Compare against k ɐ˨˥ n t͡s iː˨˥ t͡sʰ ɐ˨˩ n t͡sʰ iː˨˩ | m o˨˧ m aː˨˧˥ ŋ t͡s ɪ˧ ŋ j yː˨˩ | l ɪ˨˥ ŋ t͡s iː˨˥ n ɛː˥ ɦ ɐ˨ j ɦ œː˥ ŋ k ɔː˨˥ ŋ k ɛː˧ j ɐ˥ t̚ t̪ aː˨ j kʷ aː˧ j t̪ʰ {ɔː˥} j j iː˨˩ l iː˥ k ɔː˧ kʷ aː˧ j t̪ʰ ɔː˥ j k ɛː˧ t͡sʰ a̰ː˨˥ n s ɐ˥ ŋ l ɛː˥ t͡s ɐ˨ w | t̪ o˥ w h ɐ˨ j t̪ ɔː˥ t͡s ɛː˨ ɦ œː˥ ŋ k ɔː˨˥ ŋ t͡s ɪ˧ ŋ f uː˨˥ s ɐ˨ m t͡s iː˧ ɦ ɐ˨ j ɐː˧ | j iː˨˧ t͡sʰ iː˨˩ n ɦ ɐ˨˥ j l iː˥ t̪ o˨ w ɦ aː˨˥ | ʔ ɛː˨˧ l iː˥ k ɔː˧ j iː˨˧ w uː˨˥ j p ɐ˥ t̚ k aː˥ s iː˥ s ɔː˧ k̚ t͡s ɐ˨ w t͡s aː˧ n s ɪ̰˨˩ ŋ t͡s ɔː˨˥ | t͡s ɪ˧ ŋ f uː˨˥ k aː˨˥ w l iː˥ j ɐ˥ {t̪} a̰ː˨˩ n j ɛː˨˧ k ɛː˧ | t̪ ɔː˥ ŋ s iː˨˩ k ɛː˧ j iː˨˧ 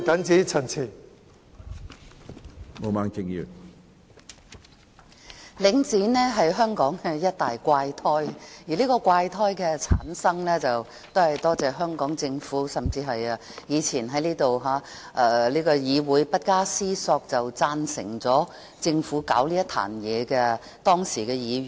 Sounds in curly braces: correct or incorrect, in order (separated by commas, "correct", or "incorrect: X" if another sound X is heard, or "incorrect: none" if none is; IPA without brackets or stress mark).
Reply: correct, incorrect: t̪ʰ